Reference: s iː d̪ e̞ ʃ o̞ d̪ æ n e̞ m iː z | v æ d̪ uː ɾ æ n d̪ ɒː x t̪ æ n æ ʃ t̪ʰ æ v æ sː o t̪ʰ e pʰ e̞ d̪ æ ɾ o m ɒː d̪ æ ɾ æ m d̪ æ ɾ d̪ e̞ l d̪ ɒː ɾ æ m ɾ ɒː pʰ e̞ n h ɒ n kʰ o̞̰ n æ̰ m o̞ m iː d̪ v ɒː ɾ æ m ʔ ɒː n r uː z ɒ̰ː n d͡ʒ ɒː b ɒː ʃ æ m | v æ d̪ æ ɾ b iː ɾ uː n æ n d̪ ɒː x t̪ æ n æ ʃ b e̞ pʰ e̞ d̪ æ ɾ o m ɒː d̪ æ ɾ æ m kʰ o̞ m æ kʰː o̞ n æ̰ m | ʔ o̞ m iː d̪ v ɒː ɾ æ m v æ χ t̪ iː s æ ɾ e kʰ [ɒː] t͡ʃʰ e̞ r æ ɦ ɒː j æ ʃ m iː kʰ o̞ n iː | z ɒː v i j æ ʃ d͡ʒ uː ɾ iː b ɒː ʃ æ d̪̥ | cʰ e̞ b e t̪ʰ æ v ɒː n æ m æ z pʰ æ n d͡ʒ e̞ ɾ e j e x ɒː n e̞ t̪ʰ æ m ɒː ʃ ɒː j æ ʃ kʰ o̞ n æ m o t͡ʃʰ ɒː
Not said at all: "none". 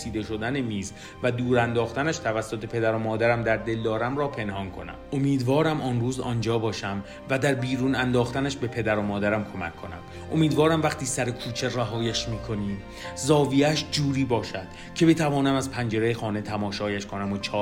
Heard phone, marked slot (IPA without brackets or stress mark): uː